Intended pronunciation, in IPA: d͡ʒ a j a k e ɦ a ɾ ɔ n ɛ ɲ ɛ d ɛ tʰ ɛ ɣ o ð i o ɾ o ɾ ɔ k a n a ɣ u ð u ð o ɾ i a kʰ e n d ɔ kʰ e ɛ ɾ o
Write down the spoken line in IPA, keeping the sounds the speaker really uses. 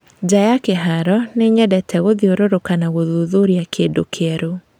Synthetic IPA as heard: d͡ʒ a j a k e ɦ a ɾ ɔ n e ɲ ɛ d ɛ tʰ ɛ ɣ o ð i o ɾ o ɾ o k a n a ɣ o ð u ð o ɾ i a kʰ e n d o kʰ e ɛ ɾ o